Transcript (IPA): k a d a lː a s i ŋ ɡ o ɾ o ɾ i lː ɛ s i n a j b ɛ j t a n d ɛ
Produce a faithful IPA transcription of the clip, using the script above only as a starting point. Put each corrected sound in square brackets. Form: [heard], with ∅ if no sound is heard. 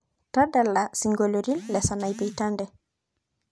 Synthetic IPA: [t] a d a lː a s i ŋ ɡ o [l] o ɾ i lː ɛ s [a] n a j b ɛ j t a n d ɛ